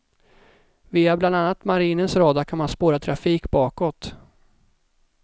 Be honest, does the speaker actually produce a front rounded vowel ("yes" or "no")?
no